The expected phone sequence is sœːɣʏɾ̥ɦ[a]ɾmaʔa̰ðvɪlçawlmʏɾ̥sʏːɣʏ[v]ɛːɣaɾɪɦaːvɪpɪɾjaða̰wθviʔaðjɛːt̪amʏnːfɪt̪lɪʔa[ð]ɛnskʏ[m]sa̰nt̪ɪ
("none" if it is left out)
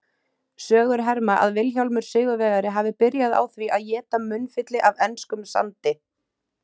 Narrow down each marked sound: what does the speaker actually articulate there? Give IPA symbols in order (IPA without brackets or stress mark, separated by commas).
ɛ, v, v, m